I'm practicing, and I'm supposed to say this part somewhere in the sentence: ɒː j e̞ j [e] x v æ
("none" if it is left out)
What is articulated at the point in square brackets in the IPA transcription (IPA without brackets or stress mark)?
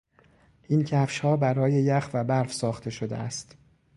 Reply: æ